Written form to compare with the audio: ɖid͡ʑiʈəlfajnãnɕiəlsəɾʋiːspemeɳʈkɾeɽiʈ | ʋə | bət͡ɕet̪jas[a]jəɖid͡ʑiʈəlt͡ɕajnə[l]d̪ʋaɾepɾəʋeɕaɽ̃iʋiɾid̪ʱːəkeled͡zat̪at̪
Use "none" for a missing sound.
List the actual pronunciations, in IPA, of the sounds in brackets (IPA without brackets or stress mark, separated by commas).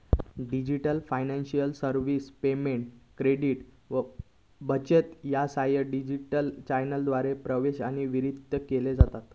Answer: a, l